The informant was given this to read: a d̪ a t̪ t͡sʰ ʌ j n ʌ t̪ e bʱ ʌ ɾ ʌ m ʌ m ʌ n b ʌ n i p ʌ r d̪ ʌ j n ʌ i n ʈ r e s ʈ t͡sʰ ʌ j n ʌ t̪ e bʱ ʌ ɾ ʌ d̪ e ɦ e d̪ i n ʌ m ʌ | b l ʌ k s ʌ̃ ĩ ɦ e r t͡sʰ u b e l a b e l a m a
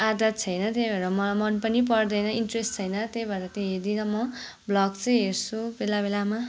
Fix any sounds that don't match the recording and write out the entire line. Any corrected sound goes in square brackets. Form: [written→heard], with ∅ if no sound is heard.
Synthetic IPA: a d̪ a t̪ t͡sʰ ʌ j n ʌ t̪ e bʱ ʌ ɾ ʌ m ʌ m ʌ n [b→p] ʌ n i p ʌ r d̪ ʌ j n ʌ i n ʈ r e s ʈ t͡sʰ ʌ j n ʌ t̪ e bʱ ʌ ɾ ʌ [d̪→t̪] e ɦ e d̪ i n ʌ m ʌ | b l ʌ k [s→t͡s] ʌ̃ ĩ ɦ e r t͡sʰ u b e l a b e l a m a